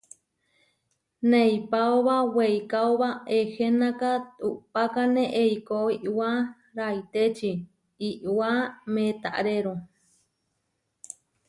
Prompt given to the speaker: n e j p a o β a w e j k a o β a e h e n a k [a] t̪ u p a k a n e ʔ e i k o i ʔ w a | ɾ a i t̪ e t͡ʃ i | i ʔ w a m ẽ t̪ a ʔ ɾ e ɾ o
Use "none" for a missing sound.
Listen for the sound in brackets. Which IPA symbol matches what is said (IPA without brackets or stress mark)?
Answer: a